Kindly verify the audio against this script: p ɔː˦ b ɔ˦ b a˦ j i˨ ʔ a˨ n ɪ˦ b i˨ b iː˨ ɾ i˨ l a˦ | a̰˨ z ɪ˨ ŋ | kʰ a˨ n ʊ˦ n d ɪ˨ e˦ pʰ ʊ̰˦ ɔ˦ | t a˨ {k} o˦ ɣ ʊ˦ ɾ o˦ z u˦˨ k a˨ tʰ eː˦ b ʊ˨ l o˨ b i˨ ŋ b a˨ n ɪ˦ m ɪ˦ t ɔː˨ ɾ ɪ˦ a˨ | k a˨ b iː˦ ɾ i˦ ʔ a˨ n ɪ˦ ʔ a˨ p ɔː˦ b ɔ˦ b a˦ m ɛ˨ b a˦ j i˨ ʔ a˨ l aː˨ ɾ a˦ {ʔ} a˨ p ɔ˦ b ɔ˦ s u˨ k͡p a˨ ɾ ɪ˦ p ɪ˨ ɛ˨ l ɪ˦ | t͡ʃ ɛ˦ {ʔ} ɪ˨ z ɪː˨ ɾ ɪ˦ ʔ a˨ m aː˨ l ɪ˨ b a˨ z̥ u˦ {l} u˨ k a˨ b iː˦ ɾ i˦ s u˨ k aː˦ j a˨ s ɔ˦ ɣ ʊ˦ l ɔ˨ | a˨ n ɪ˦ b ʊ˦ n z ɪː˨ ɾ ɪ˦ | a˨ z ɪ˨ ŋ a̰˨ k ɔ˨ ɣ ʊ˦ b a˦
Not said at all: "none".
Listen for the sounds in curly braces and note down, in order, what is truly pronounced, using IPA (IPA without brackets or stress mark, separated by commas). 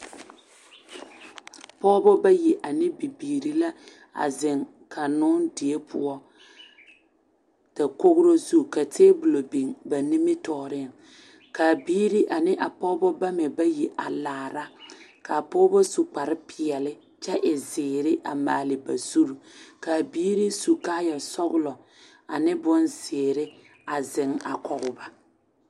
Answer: k, k, ʔ, ɾ